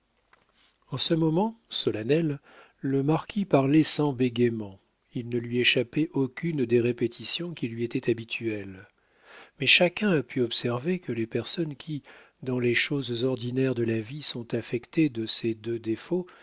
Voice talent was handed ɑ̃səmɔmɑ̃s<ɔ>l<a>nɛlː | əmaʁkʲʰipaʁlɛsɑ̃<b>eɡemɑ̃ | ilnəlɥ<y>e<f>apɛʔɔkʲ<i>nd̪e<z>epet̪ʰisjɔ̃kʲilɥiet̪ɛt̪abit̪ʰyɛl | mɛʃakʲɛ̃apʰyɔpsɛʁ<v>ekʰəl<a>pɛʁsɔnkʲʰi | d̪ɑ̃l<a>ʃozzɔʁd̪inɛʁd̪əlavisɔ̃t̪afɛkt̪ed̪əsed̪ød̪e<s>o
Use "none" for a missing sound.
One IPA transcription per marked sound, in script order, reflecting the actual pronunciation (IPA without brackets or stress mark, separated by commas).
ɔ, a, b, i, ʃ, y, ʁ, v, e, e, f